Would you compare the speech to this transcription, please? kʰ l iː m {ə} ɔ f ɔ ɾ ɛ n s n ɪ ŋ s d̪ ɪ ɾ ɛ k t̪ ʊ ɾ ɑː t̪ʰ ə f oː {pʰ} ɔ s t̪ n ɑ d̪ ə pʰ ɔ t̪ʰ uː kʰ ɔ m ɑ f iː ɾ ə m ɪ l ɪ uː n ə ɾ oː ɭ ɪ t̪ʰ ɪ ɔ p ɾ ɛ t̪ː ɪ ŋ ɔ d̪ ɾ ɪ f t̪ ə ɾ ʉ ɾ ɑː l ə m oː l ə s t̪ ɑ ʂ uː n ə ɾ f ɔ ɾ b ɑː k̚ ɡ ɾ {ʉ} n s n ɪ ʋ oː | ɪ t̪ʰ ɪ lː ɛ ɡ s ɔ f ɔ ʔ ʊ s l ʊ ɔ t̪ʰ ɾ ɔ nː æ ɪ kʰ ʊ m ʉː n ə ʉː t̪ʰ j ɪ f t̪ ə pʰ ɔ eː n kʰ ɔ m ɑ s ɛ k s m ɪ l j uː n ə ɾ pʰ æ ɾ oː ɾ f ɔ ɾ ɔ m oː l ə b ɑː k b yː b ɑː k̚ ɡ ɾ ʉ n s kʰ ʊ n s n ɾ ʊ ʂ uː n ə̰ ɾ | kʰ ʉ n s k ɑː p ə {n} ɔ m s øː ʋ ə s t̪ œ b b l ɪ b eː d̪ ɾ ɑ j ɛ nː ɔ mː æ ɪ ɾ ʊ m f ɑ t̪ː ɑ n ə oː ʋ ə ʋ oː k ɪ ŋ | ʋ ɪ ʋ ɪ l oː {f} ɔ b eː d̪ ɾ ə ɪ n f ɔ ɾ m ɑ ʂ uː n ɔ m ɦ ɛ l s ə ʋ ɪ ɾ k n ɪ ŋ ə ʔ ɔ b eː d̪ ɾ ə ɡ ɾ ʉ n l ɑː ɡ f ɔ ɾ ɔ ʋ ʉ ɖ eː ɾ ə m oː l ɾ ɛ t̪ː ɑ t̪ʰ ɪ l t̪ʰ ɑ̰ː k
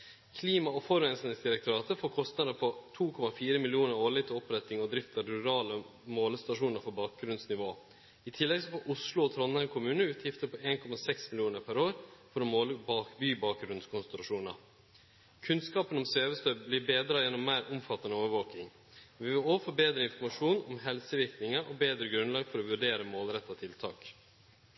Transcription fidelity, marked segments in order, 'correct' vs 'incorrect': incorrect: ɑ, incorrect: kʰ, correct, correct, correct

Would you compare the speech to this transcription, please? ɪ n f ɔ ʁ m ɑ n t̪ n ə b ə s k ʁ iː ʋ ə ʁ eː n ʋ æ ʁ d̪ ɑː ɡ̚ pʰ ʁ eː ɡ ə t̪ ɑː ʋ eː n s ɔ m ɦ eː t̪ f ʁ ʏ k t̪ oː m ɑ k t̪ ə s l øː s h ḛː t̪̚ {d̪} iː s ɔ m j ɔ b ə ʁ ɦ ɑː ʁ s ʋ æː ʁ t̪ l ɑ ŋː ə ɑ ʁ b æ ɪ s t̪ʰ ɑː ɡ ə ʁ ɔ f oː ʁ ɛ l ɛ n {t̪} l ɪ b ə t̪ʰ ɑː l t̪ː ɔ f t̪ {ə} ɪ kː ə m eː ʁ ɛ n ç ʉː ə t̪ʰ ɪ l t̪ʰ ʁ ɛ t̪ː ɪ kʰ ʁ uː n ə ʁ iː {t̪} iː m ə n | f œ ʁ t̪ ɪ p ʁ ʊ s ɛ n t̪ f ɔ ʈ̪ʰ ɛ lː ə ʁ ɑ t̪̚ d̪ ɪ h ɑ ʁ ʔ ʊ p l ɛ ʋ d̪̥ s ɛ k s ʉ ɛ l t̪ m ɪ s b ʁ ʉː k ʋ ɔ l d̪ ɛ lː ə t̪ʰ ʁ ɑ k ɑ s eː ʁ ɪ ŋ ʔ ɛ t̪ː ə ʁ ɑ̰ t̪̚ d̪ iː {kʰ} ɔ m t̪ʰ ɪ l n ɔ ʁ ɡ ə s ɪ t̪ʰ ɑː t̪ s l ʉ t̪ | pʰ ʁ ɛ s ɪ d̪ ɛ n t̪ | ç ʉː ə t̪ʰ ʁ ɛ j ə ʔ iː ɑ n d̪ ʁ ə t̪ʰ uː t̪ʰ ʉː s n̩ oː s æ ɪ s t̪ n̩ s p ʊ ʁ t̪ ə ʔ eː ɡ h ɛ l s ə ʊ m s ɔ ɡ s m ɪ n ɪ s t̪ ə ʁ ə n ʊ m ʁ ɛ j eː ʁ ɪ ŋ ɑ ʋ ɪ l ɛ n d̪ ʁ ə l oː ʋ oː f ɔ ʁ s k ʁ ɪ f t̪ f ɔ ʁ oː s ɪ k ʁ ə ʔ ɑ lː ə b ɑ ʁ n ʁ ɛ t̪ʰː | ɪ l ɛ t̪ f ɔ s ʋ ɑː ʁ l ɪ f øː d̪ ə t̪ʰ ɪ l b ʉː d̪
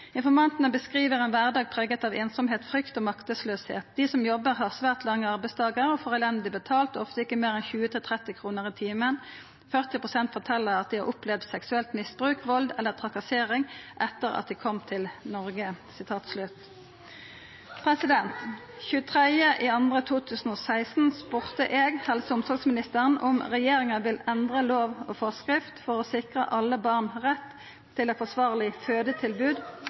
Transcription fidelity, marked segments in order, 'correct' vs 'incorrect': correct, incorrect: d̪, correct, incorrect: t̪ʰ, correct

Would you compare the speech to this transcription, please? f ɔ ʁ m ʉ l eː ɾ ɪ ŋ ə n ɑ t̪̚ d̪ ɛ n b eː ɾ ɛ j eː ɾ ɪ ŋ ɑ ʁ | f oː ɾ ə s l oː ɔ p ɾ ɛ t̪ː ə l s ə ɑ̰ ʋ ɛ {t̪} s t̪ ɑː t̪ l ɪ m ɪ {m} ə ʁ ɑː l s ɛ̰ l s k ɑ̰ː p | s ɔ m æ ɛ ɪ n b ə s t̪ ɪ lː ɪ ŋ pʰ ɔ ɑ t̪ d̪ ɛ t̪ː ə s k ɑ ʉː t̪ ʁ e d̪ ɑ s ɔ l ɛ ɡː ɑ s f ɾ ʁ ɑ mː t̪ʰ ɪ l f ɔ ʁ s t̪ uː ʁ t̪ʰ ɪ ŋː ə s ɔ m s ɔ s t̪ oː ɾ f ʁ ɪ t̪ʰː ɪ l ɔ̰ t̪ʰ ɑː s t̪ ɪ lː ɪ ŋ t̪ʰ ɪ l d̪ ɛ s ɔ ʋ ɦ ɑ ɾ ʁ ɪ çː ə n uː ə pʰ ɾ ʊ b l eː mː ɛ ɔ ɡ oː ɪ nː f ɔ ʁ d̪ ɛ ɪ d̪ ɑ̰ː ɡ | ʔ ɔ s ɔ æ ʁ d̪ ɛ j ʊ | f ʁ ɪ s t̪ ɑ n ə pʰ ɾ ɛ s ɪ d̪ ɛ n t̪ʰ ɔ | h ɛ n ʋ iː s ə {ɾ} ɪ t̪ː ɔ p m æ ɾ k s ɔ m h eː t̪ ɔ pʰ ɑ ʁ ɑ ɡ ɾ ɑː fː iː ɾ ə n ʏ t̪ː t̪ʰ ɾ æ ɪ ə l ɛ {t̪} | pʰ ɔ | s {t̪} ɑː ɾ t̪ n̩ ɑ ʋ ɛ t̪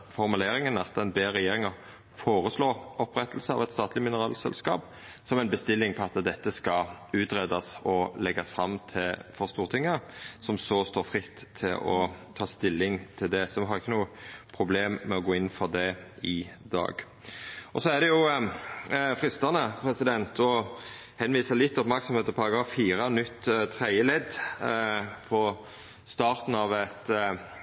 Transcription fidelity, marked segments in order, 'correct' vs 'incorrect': correct, incorrect: n, incorrect: l, incorrect: d̪, correct

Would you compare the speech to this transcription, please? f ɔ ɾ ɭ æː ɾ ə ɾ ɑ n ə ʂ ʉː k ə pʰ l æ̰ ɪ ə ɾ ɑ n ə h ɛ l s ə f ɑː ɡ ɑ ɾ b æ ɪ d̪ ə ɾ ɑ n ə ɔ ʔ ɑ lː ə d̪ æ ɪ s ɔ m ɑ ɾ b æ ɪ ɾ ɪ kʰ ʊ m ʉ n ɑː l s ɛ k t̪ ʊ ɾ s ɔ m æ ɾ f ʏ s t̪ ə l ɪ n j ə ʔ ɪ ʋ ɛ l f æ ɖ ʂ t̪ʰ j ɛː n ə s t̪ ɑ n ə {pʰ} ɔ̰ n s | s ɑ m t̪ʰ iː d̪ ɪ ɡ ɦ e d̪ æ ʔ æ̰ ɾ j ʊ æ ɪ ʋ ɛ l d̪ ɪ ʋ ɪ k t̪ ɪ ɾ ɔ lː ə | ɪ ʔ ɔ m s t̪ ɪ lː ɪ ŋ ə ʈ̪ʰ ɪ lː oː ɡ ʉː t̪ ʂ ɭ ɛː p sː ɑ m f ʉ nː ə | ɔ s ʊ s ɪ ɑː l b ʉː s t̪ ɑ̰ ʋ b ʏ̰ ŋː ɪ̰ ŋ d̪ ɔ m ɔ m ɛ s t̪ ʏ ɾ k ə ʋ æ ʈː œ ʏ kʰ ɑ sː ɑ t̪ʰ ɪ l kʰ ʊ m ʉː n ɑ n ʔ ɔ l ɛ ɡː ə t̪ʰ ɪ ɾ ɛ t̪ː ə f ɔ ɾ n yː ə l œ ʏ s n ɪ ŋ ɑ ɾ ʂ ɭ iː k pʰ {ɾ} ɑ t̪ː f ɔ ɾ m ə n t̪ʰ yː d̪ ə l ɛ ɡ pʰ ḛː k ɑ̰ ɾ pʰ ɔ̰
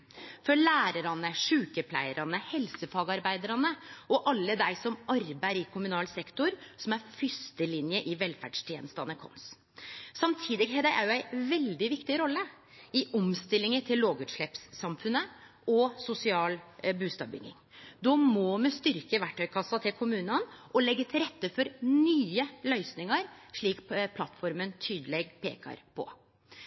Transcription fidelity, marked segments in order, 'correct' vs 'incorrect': incorrect: kʰ, incorrect: l

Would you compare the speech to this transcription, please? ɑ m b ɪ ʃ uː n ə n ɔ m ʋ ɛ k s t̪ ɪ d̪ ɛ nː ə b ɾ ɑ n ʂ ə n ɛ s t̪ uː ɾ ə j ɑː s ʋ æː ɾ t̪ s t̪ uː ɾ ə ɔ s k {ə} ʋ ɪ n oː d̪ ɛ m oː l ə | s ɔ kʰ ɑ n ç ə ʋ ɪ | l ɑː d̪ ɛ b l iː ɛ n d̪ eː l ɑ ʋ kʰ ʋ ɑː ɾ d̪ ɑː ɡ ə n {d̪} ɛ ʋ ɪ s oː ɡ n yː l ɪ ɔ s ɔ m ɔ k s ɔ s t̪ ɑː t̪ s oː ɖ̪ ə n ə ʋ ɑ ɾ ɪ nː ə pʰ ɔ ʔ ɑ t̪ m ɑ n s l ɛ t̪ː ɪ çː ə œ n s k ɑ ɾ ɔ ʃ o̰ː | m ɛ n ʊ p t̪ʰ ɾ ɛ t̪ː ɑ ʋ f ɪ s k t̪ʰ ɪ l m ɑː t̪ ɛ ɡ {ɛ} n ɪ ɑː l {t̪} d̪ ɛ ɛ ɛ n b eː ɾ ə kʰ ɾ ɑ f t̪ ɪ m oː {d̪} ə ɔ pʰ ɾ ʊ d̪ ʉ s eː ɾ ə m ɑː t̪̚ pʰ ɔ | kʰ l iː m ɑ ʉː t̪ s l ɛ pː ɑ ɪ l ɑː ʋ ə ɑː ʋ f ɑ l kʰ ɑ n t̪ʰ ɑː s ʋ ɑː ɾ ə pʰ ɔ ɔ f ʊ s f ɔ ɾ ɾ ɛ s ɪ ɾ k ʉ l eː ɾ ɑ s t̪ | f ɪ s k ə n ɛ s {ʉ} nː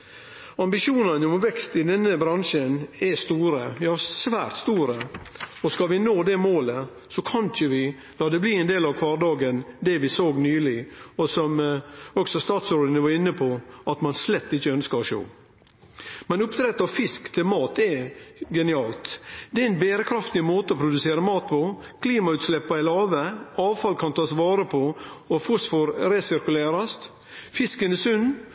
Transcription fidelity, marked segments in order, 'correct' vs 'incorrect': incorrect: ɑ, correct, correct, correct, incorrect: t̪, correct

